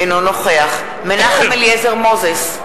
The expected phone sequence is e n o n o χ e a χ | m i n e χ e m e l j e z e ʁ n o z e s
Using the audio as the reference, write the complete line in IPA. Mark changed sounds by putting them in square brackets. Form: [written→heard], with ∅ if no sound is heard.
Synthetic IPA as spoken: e n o n o χ e a χ | m [i→e] n [e→a] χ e m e l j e z e ʁ [n→m] o z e s